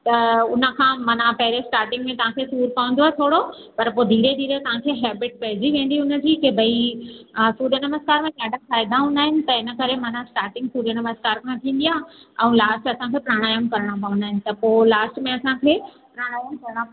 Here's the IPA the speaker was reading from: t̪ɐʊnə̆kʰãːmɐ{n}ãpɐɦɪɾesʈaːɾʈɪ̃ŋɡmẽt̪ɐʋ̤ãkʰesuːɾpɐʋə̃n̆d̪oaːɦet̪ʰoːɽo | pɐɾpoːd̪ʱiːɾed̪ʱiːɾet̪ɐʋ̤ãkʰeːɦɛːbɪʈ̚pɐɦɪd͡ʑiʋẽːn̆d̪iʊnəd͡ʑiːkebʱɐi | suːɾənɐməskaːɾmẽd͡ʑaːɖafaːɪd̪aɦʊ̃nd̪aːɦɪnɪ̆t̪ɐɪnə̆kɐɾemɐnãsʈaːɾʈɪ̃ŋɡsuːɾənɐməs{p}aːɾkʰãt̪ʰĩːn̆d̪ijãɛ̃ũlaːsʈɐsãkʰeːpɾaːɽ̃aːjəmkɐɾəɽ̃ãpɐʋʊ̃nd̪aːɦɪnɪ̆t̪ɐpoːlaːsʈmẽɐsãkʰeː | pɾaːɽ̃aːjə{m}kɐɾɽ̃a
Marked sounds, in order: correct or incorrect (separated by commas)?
correct, incorrect, correct